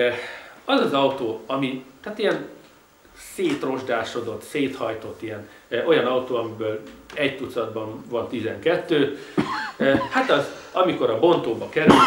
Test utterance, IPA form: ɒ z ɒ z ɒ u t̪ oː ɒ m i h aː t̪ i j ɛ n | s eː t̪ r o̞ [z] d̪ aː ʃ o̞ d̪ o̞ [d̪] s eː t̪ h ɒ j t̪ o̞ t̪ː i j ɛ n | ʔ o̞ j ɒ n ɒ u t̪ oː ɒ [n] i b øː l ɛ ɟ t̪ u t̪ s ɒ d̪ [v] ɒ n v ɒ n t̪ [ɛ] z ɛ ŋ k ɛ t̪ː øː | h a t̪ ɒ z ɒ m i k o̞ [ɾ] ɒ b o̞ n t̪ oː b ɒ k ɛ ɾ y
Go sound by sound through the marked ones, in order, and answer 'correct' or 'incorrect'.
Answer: incorrect: ʒ, incorrect: t̪, incorrect: m, incorrect: b, incorrect: i, correct

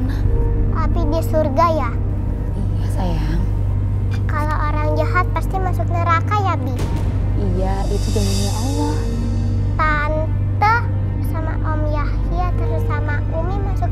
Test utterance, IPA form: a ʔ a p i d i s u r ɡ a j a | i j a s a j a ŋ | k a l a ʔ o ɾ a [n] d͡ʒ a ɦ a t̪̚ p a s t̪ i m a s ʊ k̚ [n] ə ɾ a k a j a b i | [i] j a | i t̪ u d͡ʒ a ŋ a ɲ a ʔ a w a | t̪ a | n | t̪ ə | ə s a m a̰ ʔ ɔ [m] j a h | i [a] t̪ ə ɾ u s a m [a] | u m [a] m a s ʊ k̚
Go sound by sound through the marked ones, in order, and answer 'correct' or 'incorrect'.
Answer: incorrect: ŋ, correct, correct, correct, correct, correct, incorrect: i

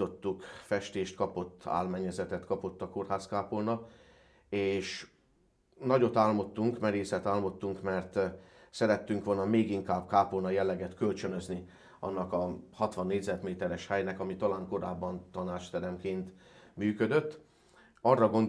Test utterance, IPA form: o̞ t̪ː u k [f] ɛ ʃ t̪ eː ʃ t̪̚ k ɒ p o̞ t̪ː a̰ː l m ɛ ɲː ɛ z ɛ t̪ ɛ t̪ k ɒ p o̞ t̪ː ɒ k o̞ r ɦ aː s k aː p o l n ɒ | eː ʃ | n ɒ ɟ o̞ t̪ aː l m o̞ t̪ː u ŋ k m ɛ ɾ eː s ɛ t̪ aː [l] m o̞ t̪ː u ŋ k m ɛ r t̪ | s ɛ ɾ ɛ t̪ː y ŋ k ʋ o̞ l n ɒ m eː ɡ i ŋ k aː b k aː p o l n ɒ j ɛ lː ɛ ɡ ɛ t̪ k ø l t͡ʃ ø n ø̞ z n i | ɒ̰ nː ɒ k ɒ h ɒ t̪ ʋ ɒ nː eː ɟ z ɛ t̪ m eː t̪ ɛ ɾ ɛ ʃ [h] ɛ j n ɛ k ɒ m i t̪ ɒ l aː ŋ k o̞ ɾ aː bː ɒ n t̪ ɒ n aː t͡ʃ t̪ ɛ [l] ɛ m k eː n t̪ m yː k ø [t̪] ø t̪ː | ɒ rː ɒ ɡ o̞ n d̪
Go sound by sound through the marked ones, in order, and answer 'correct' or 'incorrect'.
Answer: correct, correct, correct, incorrect: ɾ, incorrect: d̪

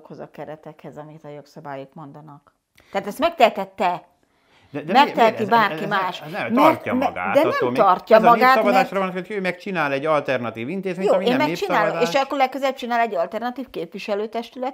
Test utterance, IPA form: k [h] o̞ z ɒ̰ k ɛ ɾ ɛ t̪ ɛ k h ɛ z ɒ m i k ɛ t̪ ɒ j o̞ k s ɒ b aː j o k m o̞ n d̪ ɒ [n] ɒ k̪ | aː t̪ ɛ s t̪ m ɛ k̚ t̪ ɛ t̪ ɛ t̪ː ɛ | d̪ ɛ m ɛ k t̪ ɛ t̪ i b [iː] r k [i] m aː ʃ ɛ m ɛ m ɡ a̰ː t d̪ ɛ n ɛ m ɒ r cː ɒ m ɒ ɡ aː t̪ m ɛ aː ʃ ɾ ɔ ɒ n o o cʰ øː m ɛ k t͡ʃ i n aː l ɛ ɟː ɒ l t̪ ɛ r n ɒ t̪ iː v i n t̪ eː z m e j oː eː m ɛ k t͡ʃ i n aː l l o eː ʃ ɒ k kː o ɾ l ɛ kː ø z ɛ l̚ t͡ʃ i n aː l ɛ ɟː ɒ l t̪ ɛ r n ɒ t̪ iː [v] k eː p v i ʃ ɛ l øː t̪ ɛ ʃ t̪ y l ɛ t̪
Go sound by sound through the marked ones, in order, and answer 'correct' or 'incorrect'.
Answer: correct, correct, incorrect: aː, correct, incorrect: f

